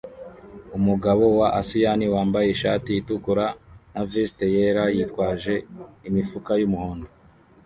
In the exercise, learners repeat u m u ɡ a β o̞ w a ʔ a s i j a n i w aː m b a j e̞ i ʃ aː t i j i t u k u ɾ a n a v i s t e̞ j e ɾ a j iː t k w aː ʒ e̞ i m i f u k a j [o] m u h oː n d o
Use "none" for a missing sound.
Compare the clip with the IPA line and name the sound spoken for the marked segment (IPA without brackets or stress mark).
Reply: u